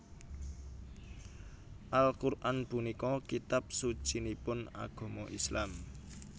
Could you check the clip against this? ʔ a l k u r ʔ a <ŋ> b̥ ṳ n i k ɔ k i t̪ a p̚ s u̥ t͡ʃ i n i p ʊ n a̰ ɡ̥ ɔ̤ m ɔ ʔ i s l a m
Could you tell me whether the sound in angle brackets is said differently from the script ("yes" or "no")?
yes